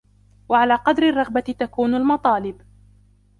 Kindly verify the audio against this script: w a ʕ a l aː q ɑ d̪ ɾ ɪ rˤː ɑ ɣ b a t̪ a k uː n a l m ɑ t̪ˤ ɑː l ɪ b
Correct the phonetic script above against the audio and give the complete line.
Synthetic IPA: w a ʕ a l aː q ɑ d̪ ɾ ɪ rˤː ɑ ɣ b a t̪ a k uː n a l m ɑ t̪ˤ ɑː l ɪ b